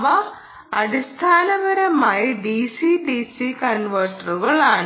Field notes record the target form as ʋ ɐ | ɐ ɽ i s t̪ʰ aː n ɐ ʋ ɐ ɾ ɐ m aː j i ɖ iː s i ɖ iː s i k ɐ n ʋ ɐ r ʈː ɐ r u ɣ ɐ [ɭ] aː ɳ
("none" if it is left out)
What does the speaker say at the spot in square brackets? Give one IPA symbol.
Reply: ɭ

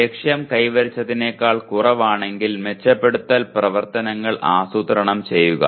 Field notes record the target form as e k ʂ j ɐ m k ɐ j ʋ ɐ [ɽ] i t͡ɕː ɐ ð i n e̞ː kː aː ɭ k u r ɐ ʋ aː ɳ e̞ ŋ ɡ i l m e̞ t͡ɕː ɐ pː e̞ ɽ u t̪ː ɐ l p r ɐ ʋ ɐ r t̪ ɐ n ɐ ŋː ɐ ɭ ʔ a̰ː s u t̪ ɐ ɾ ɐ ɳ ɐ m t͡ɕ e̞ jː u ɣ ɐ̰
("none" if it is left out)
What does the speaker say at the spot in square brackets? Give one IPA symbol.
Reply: ɾ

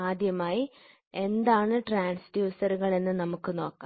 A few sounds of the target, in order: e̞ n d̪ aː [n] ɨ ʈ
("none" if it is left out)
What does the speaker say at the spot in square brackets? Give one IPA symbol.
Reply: ɳ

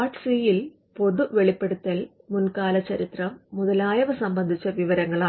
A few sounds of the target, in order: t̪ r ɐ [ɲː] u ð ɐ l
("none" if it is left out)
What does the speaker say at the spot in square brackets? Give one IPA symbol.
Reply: mː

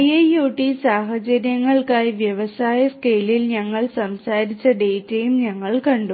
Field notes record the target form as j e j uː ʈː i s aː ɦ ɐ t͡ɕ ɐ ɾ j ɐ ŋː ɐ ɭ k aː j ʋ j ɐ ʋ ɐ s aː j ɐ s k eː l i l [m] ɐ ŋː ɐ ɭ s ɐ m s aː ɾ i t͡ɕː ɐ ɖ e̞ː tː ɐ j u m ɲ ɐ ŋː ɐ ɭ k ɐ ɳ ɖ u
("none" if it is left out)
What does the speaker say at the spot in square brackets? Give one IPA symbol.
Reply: ɲ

